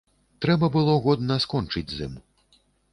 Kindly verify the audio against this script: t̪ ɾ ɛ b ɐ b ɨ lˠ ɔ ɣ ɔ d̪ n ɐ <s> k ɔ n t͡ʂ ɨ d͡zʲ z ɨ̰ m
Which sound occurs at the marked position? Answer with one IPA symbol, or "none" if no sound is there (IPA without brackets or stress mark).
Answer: s